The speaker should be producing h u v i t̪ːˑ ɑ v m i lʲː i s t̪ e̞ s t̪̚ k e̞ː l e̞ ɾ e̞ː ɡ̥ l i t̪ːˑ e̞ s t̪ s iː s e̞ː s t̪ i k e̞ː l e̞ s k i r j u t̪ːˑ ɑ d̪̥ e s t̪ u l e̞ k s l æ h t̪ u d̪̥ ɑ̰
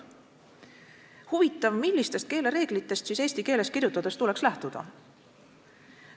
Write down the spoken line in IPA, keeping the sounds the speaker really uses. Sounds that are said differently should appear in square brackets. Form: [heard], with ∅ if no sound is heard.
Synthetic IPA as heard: h u v i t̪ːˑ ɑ v m i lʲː i s t̪ e̞ s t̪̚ k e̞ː l e̞ ɾ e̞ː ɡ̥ l i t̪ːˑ e̞ s t̪ s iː s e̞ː s t̪ i k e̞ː l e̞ s k i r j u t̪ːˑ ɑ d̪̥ e s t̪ u l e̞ k s l æ h t̪ u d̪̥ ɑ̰